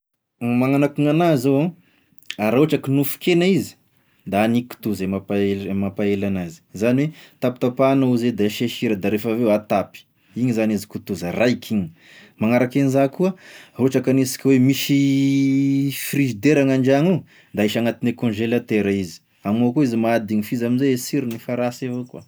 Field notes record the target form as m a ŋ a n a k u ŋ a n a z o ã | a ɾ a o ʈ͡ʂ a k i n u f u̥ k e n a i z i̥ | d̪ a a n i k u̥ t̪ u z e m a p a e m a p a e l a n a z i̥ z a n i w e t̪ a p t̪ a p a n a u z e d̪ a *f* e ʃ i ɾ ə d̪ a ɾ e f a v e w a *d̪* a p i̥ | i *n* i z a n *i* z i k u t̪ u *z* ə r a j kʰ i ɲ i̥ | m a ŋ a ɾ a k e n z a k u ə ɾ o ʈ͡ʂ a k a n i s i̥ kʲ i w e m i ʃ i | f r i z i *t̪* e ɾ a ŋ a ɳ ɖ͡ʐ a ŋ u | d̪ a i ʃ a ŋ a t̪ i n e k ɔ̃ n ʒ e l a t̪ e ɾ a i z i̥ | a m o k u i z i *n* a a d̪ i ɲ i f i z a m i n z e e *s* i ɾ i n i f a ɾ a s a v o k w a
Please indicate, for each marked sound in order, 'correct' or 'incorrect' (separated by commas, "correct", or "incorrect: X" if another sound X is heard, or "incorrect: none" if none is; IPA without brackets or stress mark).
incorrect: ʃ, incorrect: t̪, incorrect: ɲ, correct, correct, incorrect: d̪, incorrect: m, correct